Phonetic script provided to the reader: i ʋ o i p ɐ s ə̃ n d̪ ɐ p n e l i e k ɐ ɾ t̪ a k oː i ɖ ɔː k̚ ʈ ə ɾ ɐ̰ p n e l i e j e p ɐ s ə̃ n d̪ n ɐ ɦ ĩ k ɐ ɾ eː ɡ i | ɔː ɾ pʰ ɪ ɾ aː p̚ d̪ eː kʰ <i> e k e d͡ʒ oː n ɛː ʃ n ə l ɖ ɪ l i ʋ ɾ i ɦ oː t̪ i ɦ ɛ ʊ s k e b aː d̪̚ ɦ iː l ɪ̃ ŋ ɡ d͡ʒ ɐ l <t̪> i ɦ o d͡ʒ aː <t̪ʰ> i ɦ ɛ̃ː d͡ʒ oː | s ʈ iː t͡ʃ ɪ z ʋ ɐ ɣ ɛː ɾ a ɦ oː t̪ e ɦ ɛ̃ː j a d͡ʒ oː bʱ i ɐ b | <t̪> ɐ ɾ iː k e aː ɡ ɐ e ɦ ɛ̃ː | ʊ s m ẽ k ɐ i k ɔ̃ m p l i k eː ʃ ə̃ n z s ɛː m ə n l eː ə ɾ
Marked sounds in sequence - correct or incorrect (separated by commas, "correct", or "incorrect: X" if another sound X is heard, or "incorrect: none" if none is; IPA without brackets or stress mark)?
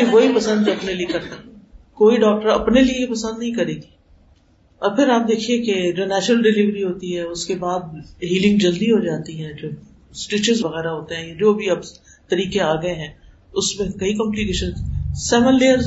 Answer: correct, incorrect: d̪, incorrect: t̪, correct